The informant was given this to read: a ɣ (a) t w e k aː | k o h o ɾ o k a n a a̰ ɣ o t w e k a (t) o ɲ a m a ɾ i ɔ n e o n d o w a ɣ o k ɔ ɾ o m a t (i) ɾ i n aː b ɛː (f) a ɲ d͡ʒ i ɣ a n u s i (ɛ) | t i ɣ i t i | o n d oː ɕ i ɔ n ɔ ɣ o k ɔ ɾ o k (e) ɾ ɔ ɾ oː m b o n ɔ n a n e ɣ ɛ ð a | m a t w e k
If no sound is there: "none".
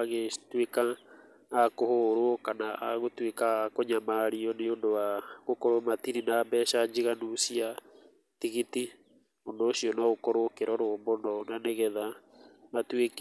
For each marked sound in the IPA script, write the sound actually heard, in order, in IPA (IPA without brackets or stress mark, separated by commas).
e, k, i, ʃ, a, e